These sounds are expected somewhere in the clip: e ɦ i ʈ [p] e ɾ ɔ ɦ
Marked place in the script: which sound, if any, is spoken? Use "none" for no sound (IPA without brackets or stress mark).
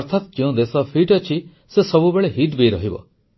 b